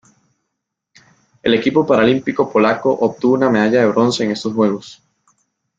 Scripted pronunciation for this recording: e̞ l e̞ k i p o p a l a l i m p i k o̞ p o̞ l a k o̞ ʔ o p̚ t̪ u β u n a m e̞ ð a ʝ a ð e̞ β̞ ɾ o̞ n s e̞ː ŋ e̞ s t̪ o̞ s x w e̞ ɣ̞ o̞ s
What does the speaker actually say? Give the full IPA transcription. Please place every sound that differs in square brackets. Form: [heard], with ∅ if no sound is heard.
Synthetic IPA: e̞ l e̞ k i p o p a [ɾ] a l i m p i k o̞ p o̞ l a k o̞ ʔ o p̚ t̪ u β u n a m e̞ ð a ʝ a ð e̞ β̞ ɾ o̞ n s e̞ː ŋ e̞ s t̪ o̞ s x w e̞ ɣ̞ o̞ s

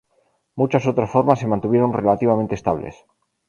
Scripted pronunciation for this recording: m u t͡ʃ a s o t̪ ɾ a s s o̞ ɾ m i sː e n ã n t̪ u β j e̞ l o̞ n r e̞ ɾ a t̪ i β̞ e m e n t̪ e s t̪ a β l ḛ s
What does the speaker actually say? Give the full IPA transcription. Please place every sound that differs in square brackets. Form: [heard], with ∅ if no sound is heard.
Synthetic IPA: m u t͡ʃ a s o t̪ ɾ a s [f] o̞ ɾ m [a] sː e [m] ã n t̪ u β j e̞ [ɾ] o̞ n r e̞ [l] a t̪ i β̞ [a] m e n t̪ e s t̪ a β l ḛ s

